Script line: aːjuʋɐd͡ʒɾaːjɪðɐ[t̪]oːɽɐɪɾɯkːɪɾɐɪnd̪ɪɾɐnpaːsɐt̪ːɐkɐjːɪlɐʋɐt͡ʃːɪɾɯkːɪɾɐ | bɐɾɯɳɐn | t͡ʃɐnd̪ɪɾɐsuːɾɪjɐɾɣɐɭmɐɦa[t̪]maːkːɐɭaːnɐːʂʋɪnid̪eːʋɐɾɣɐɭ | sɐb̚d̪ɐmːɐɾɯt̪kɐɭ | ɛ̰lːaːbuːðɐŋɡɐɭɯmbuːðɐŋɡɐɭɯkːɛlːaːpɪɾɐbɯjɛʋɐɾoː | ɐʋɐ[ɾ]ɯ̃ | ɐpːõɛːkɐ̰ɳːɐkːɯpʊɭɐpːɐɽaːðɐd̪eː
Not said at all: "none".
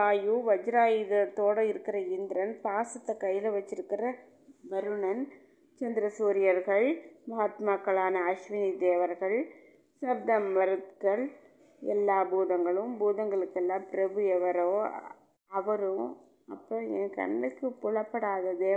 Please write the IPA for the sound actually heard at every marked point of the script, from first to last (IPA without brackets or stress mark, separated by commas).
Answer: t̪, t̪, ɾ